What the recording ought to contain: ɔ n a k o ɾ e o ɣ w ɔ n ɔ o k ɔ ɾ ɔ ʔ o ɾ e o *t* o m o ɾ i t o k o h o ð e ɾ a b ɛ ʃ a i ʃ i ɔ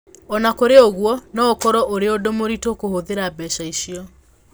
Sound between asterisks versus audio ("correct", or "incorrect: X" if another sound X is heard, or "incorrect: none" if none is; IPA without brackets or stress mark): incorrect: d